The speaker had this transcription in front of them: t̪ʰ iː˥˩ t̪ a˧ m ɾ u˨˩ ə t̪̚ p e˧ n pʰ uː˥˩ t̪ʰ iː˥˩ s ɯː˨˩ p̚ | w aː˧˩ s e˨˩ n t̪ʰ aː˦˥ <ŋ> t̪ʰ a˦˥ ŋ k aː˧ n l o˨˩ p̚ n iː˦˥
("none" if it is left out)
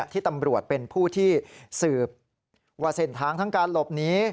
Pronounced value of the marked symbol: ŋ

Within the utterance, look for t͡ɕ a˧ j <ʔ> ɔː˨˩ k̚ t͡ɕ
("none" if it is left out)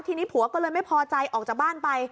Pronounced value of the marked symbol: ʔ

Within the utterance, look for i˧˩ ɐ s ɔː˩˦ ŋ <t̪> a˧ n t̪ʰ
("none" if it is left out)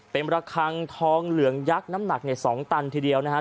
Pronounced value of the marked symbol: t̪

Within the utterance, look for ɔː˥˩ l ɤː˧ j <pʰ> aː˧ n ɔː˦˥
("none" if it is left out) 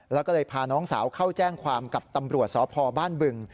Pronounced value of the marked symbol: pʰ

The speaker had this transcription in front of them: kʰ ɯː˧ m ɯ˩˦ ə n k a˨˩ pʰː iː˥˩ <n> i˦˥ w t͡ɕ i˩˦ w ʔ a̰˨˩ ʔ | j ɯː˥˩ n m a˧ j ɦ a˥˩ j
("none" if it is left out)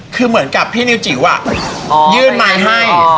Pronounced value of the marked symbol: n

